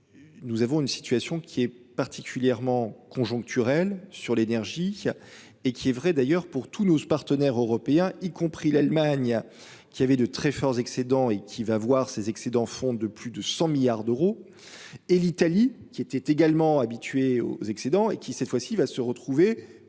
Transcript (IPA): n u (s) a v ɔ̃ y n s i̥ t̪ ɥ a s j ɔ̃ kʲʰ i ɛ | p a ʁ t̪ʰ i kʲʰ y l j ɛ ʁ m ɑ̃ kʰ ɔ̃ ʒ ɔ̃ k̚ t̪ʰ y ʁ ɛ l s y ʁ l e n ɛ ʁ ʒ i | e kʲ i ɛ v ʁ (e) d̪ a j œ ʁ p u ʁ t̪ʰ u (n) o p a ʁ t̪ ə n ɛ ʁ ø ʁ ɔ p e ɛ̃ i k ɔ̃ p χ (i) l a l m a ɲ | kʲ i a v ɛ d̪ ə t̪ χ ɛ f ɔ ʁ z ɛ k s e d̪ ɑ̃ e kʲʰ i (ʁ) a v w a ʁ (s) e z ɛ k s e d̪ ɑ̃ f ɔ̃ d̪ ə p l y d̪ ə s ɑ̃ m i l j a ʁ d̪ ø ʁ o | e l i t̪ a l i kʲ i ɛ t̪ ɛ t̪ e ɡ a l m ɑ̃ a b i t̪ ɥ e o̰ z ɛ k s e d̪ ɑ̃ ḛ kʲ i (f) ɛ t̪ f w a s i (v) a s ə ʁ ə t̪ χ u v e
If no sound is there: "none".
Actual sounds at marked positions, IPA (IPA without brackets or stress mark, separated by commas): z, ɛ, n, i, v, s, s, v